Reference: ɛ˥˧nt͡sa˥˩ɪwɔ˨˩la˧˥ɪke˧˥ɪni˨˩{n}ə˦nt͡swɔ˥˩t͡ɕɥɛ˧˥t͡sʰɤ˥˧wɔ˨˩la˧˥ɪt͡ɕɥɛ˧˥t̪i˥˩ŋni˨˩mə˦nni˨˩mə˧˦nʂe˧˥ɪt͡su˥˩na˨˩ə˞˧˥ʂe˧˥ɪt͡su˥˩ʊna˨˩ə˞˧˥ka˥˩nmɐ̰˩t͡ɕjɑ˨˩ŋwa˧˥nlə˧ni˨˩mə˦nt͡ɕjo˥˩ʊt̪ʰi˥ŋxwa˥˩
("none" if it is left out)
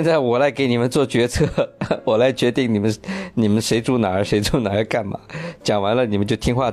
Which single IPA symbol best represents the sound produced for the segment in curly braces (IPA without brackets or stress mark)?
m